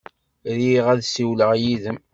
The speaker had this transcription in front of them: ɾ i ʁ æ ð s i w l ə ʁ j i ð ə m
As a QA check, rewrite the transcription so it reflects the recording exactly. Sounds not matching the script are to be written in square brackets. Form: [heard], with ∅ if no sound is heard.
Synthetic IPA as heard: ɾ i ʁ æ ð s i w l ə ʁ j i ð ə m